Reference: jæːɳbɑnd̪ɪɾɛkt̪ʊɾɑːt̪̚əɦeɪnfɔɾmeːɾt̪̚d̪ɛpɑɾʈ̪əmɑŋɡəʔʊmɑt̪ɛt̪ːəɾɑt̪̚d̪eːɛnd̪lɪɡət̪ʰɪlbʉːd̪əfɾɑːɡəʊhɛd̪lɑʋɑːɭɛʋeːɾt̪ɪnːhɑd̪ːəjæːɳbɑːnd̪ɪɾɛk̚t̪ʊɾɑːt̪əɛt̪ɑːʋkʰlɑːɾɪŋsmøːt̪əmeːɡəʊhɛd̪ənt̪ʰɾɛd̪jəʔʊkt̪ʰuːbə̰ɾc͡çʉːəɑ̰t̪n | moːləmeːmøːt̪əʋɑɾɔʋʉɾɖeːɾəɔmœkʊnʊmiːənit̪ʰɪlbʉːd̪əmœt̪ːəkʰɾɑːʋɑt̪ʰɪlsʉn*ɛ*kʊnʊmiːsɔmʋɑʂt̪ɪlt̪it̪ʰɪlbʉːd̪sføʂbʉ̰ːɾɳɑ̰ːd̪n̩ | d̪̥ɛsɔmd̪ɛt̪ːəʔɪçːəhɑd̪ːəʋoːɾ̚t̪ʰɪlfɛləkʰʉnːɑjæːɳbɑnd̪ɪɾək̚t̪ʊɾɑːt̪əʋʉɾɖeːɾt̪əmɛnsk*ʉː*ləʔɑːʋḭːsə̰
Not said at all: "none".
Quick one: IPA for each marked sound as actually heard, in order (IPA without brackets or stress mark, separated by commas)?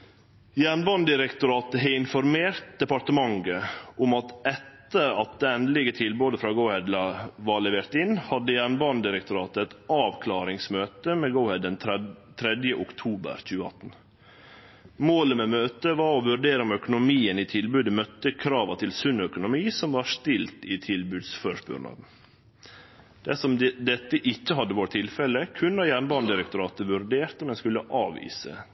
œ, ʉ